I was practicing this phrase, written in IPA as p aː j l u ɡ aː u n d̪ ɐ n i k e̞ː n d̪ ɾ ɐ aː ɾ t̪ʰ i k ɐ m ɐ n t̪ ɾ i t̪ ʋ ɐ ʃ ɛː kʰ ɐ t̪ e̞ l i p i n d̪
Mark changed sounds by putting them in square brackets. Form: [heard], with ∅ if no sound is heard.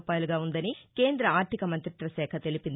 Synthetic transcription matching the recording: p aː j l u ɡ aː u n d̪ ɐ n i k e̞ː n d̪ ɾ ɐ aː ɾ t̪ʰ i k ɐ m ɐ n t̪ ɾ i t̪ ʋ ɐ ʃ ɛː kʰ ɐ t̪ e̞ l i p i n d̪